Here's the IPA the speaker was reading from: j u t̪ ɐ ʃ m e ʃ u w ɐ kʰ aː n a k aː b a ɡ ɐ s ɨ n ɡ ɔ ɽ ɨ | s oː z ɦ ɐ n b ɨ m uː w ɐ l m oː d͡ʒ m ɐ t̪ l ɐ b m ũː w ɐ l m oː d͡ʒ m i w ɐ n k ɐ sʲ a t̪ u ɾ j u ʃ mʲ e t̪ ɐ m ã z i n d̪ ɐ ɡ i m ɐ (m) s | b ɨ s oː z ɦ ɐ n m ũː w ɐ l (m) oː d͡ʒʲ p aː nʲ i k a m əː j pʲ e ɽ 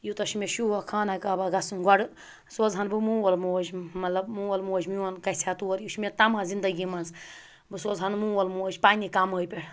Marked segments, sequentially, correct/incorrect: incorrect, correct

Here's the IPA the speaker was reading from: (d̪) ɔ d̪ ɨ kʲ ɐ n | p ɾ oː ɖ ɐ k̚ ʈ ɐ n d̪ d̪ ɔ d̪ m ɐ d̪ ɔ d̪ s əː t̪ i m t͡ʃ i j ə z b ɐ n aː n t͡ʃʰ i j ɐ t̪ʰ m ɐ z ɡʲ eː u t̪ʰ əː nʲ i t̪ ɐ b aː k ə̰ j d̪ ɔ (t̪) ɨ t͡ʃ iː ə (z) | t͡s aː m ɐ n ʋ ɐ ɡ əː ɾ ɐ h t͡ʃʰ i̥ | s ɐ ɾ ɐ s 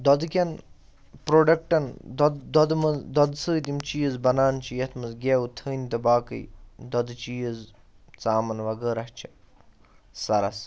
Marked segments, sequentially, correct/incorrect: correct, incorrect, correct

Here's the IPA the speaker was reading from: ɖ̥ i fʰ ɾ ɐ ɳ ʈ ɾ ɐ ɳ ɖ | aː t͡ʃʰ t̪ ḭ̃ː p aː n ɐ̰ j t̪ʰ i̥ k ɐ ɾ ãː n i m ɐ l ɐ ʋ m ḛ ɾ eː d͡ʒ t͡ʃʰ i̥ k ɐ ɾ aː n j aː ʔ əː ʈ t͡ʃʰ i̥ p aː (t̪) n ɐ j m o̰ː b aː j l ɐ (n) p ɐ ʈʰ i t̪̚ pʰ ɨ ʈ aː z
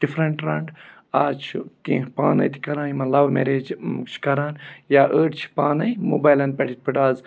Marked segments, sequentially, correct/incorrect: incorrect, correct

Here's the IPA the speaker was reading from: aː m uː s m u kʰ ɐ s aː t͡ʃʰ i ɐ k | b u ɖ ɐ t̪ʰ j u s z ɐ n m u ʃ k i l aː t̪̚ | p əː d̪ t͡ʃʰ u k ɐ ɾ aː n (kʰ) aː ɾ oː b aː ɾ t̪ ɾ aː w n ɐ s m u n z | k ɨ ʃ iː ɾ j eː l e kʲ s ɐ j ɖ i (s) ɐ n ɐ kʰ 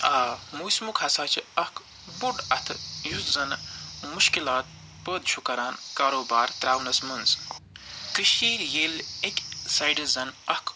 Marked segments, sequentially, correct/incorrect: incorrect, incorrect

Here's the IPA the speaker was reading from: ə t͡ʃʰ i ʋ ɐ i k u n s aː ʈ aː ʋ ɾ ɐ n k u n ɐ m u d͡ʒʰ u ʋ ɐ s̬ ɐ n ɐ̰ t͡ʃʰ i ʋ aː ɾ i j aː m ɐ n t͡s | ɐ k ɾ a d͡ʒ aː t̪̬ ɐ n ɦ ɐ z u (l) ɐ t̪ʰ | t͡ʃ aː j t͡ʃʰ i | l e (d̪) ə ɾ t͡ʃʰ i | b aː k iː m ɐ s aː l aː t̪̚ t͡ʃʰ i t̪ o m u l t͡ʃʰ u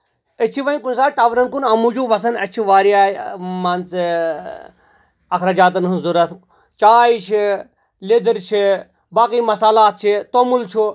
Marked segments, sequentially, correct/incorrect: incorrect, correct

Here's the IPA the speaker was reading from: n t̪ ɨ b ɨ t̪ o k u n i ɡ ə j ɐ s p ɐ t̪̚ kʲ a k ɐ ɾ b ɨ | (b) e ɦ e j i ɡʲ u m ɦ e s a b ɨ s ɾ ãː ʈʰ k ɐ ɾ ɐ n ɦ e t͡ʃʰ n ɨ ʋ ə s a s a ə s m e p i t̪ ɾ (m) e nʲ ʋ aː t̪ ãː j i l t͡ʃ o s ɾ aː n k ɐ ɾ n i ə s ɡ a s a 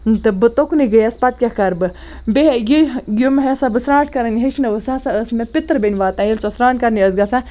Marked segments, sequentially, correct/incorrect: correct, incorrect

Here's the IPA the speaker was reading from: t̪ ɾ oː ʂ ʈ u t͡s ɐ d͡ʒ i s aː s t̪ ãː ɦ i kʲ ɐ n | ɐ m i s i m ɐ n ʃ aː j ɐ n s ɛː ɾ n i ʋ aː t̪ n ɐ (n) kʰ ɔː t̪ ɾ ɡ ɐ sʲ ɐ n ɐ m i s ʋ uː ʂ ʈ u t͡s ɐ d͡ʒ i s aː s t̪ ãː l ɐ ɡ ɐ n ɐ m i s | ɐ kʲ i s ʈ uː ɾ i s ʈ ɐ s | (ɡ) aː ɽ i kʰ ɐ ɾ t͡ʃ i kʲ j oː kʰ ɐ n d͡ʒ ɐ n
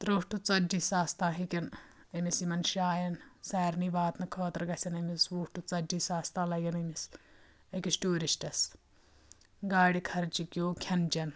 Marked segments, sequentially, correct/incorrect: incorrect, correct

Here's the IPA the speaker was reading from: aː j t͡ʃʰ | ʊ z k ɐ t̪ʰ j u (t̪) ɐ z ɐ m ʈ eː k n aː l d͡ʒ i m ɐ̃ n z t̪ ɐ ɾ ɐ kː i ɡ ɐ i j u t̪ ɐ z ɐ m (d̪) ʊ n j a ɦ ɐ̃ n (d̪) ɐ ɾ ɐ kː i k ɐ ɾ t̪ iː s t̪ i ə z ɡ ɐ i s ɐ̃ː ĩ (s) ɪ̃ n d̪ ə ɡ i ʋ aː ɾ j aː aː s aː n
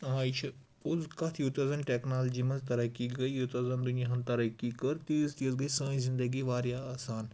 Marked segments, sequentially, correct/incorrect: correct, correct, incorrect, incorrect

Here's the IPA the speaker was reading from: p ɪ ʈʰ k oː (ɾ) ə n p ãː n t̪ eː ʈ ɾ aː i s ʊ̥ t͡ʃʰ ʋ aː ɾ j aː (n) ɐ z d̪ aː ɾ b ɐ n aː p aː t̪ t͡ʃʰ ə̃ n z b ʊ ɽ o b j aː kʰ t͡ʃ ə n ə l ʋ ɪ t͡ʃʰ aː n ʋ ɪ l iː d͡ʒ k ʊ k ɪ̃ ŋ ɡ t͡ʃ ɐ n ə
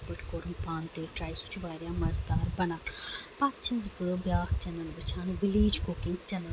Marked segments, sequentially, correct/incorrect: correct, incorrect

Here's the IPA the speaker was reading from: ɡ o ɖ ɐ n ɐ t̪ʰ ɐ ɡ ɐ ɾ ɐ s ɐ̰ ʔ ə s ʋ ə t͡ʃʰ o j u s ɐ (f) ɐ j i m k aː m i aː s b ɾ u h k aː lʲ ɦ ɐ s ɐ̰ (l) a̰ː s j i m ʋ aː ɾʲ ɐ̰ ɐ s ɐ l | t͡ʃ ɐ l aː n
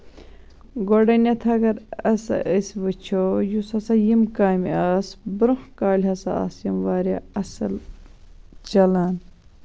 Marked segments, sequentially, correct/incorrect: incorrect, incorrect

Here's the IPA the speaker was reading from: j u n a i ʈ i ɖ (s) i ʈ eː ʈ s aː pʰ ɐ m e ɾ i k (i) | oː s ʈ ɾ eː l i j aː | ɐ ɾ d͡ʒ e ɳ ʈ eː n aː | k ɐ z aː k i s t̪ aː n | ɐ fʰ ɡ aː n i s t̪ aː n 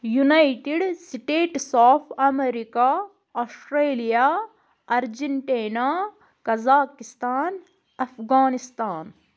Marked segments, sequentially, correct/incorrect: correct, incorrect

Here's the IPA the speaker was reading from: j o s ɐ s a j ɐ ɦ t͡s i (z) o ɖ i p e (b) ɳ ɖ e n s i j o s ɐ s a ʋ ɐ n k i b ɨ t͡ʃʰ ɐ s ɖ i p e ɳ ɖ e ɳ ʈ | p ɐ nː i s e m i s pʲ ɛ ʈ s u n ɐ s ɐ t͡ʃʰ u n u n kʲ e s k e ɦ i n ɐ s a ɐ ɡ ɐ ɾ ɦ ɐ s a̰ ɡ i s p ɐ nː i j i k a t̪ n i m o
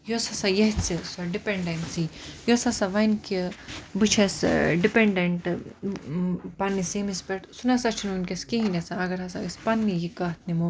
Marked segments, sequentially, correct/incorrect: incorrect, incorrect

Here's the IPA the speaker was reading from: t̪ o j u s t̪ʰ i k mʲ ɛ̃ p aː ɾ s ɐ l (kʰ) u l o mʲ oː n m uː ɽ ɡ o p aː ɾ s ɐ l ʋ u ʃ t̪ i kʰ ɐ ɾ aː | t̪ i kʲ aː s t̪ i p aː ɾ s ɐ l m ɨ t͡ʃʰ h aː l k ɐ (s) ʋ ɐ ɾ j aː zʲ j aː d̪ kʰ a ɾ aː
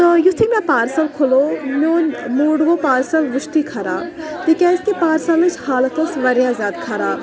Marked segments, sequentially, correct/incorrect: correct, correct

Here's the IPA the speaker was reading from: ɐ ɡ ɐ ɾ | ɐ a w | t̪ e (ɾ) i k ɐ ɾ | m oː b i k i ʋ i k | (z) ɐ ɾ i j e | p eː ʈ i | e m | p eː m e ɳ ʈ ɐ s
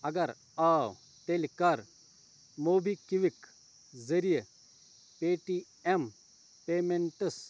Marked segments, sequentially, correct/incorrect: incorrect, correct

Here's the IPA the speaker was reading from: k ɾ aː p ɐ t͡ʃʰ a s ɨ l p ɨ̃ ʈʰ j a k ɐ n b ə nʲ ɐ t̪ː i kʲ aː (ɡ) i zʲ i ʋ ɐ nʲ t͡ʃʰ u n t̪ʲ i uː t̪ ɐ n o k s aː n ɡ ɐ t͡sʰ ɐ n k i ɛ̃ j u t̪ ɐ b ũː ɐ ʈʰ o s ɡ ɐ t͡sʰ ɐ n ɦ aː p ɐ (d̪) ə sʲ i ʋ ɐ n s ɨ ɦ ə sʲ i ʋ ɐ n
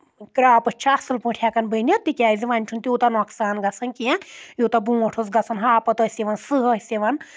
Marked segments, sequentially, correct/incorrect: incorrect, incorrect

